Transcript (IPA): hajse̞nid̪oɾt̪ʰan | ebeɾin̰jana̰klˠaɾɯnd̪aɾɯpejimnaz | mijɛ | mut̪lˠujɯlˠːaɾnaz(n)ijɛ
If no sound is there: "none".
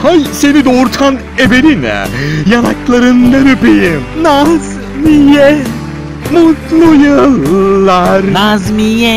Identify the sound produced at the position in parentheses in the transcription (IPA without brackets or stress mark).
m